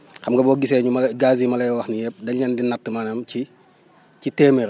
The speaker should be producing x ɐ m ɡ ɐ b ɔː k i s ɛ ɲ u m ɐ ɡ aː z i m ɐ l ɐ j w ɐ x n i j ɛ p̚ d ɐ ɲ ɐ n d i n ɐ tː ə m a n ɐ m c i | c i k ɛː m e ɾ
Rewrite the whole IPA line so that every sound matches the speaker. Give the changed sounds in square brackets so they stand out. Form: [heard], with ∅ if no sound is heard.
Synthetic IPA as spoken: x ɐ m ɡ ɐ b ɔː [ɡ] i s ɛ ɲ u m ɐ ɡ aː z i m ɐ l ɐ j w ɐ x n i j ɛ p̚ d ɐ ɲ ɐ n d i n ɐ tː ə m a n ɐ m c i | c i [t] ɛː m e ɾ